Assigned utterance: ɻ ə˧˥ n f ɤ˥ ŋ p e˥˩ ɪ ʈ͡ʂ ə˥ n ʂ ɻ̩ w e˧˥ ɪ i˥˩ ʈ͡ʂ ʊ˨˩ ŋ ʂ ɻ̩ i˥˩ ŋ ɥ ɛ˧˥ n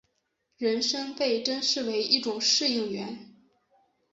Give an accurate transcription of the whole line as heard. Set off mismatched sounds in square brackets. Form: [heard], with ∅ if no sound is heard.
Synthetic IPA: ɻ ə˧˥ n [ʂ] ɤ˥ ŋ p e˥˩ ɪ ʈ͡ʂ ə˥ n ʂ ɻ̩ w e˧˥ ɪ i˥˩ ʈ͡ʂ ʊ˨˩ ŋ ʂ ɻ̩ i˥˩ ŋ ɥ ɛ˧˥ n

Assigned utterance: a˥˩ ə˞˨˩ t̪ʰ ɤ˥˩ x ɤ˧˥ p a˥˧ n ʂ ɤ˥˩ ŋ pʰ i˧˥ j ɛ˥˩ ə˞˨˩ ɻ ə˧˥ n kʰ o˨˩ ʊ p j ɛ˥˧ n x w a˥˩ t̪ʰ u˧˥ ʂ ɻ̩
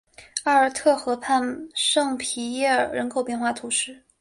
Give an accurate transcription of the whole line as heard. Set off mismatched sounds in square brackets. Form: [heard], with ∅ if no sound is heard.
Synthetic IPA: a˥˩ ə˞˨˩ t̪ʰ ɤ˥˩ x ɤ˧˥ [pʰ] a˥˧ n ʂ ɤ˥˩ ŋ pʰ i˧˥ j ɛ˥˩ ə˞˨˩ ɻ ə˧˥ n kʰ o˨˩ ʊ p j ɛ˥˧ n x w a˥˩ t̪ʰ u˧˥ ʂ ɻ̩

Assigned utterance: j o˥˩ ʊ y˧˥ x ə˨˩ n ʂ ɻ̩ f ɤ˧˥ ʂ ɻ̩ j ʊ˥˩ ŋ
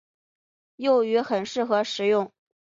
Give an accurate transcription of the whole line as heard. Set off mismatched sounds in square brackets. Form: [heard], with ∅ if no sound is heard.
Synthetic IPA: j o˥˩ ʊ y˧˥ x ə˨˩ n ʂ ɻ̩ [x] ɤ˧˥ ʂ ɻ̩ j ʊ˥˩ ŋ

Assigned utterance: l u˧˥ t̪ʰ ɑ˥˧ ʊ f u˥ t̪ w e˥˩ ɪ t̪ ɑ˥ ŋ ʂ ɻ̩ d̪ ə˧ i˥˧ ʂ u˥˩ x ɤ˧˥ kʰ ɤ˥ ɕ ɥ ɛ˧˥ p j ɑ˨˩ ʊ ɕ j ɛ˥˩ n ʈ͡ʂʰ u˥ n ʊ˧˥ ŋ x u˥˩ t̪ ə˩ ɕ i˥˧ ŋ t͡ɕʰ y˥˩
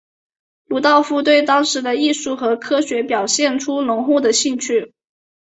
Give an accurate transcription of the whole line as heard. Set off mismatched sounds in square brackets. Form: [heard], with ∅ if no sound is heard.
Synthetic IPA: l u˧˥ [t̪] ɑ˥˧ ʊ f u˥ t̪ w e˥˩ ɪ t̪ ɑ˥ ŋ ʂ ɻ̩ d̪ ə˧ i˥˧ ʂ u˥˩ x ɤ˧˥ kʰ ɤ˥ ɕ ɥ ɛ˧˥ p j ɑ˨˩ ʊ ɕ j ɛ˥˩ n ʈ͡ʂʰ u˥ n ʊ˧˥ ŋ x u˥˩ [d̪] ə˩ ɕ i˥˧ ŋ t͡ɕʰ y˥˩

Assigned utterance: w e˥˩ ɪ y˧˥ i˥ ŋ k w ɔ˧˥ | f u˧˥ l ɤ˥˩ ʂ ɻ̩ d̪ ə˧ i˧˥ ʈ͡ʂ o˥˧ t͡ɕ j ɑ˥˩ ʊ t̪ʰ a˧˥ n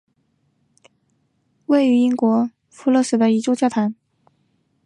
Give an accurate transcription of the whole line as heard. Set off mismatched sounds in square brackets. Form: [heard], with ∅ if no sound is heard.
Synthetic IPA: w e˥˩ ɪ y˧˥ i˥ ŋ k w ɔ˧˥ | f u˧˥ l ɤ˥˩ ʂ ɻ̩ d̪ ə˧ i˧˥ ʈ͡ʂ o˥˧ t͡ɕ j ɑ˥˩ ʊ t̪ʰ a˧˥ n

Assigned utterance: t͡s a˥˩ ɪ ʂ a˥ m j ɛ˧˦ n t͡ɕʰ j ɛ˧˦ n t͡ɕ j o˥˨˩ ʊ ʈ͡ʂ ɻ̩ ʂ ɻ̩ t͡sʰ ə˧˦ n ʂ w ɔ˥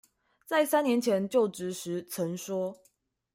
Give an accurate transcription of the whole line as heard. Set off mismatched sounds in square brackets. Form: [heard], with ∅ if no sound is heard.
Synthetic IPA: t͡s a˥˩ ɪ [s] a˥ [n] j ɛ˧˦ n t͡ɕʰ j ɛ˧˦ n t͡ɕ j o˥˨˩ ʊ ʈ͡ʂ ɻ̩ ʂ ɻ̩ t͡sʰ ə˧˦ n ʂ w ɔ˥

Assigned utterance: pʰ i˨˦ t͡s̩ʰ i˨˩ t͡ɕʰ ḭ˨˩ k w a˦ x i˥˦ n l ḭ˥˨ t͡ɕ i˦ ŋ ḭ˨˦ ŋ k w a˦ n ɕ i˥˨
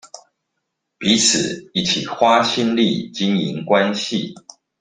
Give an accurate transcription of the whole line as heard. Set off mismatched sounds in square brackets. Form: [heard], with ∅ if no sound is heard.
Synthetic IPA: [p] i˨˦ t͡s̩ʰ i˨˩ t͡ɕʰ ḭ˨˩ [x] w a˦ [ɕ] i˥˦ n l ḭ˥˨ t͡ɕ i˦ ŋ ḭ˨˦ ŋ k w a˦ n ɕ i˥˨

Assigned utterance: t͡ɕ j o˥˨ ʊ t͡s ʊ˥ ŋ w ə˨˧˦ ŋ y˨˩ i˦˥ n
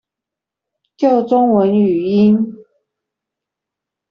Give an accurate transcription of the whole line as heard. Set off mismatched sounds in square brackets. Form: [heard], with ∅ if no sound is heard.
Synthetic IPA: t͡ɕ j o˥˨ ʊ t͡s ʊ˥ ŋ w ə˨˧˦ [n] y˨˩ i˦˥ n

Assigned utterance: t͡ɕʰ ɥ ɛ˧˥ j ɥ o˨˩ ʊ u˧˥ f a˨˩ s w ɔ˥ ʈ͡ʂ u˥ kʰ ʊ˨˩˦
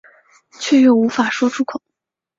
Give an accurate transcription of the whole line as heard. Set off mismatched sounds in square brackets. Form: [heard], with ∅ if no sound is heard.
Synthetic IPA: t͡ɕʰ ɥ [ɛ˥˧] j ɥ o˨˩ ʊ u˧˥ f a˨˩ [ʂ] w ɔ˥ [ʈ͡ʂʰ] u˥ kʰ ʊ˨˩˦

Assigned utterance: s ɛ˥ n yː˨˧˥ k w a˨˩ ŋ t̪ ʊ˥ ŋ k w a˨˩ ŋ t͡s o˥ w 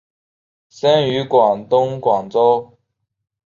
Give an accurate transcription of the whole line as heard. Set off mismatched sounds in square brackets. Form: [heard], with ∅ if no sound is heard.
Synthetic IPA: s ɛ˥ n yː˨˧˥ k w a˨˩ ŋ t̪ ʊ˥ ŋ k w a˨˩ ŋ t͡s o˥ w

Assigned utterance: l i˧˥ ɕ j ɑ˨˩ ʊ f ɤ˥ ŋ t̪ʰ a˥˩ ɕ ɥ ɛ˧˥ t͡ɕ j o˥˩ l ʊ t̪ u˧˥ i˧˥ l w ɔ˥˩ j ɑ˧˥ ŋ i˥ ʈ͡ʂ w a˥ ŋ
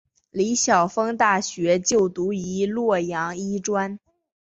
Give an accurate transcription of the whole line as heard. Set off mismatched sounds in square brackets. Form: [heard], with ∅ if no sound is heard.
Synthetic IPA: l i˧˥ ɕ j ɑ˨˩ ʊ f ɤ˥ ŋ [t̪] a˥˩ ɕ ɥ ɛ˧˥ t͡ɕ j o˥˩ [∅] ʊ t̪ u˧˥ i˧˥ l w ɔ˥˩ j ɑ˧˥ ŋ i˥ ʈ͡ʂ w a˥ [n]

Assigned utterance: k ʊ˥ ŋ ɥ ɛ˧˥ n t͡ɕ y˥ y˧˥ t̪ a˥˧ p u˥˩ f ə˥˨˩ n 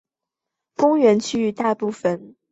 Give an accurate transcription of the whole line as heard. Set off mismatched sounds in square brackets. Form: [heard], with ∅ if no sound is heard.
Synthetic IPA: k ʊ˥ ŋ ɥ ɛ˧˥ n [t͡ɕʰ] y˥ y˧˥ t̪ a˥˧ p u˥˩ f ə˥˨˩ n

